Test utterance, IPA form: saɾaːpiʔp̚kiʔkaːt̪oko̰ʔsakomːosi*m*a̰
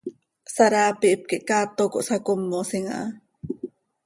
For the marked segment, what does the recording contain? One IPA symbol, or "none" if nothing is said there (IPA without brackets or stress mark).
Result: ŋ